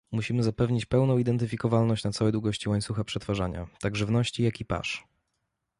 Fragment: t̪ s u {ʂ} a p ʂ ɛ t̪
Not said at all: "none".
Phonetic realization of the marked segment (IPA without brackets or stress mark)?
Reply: x